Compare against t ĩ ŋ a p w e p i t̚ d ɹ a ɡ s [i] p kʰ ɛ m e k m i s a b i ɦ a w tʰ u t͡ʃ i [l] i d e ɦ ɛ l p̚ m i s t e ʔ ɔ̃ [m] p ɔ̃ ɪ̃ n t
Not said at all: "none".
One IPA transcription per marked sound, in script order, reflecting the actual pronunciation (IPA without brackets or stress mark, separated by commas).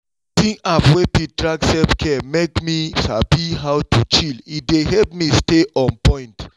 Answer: ɛ, l, n